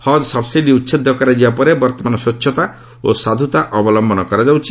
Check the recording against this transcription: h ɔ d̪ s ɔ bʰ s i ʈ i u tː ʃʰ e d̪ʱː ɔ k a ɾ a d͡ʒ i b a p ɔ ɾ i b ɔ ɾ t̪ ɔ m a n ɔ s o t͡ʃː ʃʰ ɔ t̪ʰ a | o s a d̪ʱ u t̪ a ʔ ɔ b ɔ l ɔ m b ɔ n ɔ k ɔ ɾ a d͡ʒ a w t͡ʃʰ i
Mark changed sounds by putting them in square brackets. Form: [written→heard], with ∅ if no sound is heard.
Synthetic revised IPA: h ɔ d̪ s ɔ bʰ s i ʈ i u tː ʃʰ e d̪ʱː ɔ k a ɾ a d͡ʒ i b a p ɔ ɾ [i→e] b ɔ ɾ t̪ ɔ m a n ɔ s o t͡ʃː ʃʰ ɔ [t̪ʰ→t̪] a | o s a d̪ʱ u t̪ a ʔ ɔ b ɔ l ɔ m b ɔ n ɔ k ɔ ɾ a d͡ʒ a w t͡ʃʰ i

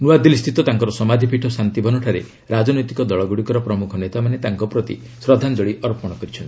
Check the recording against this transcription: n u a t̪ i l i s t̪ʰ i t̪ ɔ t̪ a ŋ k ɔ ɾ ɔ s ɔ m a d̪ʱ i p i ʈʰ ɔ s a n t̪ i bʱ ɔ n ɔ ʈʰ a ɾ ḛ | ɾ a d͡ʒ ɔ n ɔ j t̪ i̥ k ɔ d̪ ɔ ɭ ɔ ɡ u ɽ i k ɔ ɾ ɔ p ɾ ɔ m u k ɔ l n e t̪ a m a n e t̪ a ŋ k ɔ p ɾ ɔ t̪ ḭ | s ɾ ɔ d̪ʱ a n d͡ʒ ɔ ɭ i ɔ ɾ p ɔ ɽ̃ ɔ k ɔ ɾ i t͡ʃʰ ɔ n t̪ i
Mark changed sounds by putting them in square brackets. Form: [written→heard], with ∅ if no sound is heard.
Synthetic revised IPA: n u a [t̪→d̪] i l i s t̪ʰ i t̪ ɔ t̪ a ŋ k ɔ ɾ ɔ s ɔ m a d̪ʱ i p i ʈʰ ɔ s a n t̪ i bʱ ɔ n ɔ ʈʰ a ɾ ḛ | ɾ a d͡ʒ ɔ n ɔ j t̪ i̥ k ɔ d̪ ɔ ɭ ɔ ɡ u ɽ i k ɔ ɾ ɔ p ɾ ɔ m u [k→kʰ] ɔ [l→∅] n e t̪ a m a n e t̪ a ŋ k ɔ p ɾ ɔ t̪ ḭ | s ɾ ɔ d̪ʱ a n d͡ʒ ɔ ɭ i ɔ ɾ p ɔ ɽ̃ ɔ k ɔ ɾ i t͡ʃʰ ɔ n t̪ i

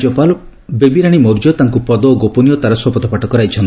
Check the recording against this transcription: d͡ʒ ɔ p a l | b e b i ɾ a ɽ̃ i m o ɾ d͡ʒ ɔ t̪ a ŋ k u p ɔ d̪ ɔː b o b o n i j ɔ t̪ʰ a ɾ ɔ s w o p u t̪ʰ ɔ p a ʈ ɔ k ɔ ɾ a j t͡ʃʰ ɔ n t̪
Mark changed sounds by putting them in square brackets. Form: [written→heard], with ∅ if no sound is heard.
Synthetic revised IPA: d͡ʒ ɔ p a l | b e b i ɾ a ɽ̃ i m o ɾ d͡ʒ ɔ t̪ a ŋ k u p ɔ d̪ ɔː [b→ɡ] o [b→p] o n i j ɔ [t̪ʰ→t̪] a ɾ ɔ s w [o→ɔ] p [u→ɔ] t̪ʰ ɔ p a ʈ ɔ k ɔ ɾ a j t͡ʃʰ ɔ n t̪

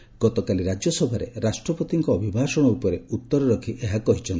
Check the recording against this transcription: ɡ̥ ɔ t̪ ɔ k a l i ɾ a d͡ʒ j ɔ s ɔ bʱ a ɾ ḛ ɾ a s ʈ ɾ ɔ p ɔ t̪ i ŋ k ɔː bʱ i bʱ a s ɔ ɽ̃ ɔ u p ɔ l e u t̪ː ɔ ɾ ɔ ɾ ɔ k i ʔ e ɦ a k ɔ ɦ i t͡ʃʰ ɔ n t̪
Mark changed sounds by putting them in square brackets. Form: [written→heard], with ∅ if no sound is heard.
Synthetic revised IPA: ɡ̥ ɔ t̪ ɔ k a l i ɾ a d͡ʒ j ɔ s ɔ bʱ a ɾ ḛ ɾ a s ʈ ɾ ɔ p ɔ t̪ i ŋ k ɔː bʱ i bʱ a s ɔ ɽ̃ ɔ u p ɔ [l→ɾ] e u t̪ː ɔ ɾ ɔ ɾ ɔ [k→kʰ] i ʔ e ɦ a k ɔ ɦ i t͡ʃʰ ɔ n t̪

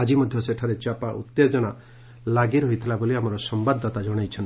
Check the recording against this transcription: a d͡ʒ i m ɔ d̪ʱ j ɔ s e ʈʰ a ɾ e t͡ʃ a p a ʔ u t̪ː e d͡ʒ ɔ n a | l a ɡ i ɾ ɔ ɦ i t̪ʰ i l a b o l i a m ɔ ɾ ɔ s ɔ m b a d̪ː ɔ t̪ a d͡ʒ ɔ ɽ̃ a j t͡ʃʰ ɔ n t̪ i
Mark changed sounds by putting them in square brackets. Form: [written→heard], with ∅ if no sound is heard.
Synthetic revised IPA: a d͡ʒ i m ɔ d̪ʱ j ɔ s e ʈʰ a ɾ e t͡ʃ a p a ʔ u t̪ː e d͡ʒ ɔ n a | l a ɡ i ɾ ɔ ɦ i t̪ʰ i l a b o l i a m ɔ ɾ ɔ s ɔ m b a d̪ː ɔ t̪ a d͡ʒ ɔ ɽ̃ a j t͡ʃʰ ɔ n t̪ i

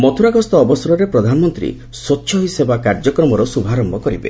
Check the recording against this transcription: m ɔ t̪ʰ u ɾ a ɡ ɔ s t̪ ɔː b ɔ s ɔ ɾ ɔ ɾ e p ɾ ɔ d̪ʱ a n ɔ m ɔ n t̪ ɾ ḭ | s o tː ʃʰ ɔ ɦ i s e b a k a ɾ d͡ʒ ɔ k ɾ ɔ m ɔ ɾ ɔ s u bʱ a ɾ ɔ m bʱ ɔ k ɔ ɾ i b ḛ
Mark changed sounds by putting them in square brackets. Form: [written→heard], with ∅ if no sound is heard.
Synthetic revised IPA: m ɔ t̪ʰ u ɾ a ɡ ɔ s t̪ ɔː b ɔ s ɔ ɾ ɔ ɾ e p ɾ ɔ d̪ʱ a n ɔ m ɔ n t̪ ɾ ḭ | s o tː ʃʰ ɔ ɦ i s e b a k a ɾ d͡ʒ ɔ k ɾ ɔ m ɔ ɾ ɔ s u bʱ a ɾ ɔ m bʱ ɔ k ɔ ɾ i b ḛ

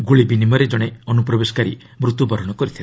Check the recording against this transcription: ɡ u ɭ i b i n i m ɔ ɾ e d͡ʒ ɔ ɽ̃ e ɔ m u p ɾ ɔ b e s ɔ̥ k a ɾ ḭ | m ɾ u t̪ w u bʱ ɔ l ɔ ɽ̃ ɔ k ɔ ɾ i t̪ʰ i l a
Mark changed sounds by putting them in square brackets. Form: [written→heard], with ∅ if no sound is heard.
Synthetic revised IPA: ɡ u ɭ i b i n i m ɔ ɾ e d͡ʒ ɔ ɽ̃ e ɔ [m→n] u p ɾ ɔ b e s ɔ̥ k a ɾ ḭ | m ɾ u t̪ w u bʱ ɔ [l→ɾ] ɔ ɽ̃ ɔ k ɔ ɾ i t̪ʰ i l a

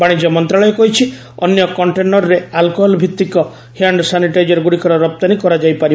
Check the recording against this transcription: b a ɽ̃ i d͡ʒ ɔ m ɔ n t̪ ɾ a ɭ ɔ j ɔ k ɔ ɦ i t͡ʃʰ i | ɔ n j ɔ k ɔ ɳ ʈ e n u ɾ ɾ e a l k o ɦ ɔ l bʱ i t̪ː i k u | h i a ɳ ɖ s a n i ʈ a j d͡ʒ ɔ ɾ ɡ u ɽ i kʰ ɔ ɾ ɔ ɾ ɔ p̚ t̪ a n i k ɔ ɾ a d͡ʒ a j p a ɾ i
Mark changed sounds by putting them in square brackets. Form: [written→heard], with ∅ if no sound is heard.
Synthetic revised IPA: b a ɽ̃ i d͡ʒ ɔ m ɔ n t̪ ɾ a ɭ ɔ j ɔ k ɔ ɦ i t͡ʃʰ i | ɔ n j ɔ k ɔ ɳ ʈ e n [u→ɔ] ɾ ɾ e a l k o ɦ ɔ l bʱ i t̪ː i k [u→ɔ] | h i a ɳ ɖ s a n i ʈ a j d͡ʒ ɔ ɾ ɡ u ɽ i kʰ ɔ ɾ ɔ ɾ ɔ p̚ t̪ a n i k ɔ ɾ a d͡ʒ a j p a ɾ i

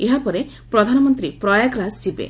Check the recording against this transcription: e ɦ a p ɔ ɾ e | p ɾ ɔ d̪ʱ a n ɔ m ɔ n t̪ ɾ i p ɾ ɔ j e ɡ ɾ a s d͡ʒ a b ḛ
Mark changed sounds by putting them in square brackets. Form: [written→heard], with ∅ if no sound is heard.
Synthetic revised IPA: e ɦ a p ɔ ɾ e | p ɾ ɔ d̪ʱ a n ɔ m ɔ n t̪ ɾ i p ɾ ɔ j [e→a] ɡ ɾ a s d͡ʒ [a→i] b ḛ

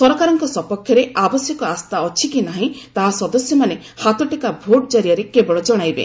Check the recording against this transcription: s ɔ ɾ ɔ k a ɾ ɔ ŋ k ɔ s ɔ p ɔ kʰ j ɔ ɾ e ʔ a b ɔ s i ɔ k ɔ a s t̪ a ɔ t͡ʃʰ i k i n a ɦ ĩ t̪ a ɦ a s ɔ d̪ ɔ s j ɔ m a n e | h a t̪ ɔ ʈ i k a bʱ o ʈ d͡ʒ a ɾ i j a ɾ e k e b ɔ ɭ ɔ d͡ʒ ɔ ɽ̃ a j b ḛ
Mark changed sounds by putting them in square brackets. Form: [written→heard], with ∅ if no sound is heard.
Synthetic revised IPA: s ɔ ɾ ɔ k a ɾ ɔ ŋ k ɔ s ɔ p ɔ kʰ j ɔ ɾ e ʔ a b ɔ s [i→j] ɔ k ɔ a s t̪ a ɔ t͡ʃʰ i k i n a ɦ ĩ t̪ a ɦ a s ɔ d̪ ɔ s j ɔ m a n e | h a t̪ ɔ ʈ i k a bʱ o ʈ d͡ʒ a ɾ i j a ɾ e k e b ɔ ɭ ɔ d͡ʒ ɔ ɽ̃ a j b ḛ

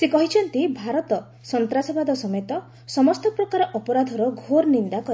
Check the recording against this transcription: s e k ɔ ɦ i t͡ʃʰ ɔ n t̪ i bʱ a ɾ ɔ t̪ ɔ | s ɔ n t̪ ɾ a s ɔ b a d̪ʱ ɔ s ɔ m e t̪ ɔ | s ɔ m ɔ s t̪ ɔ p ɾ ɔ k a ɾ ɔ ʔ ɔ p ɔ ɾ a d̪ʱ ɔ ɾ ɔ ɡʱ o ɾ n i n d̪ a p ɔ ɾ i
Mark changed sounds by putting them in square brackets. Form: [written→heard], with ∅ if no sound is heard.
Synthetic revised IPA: s e k ɔ ɦ i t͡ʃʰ ɔ n t̪ i bʱ a ɾ ɔ t̪ ɔ | s ɔ n t̪ ɾ a s ɔ b a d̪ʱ ɔ s ɔ m e t̪ ɔ | s ɔ m ɔ s t̪ ɔ p ɾ ɔ k a ɾ ɔ ʔ ɔ p ɔ ɾ a d̪ʱ ɔ ɾ ɔ ɡʱ o ɾ n i n d̪ a [p→k] ɔ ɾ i

